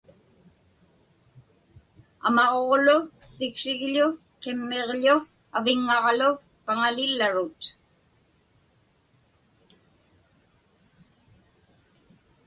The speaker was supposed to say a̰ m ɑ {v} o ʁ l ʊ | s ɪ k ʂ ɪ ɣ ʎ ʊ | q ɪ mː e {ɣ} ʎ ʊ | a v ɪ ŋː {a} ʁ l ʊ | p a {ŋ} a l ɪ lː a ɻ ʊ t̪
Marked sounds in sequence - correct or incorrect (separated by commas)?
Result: incorrect, incorrect, incorrect, correct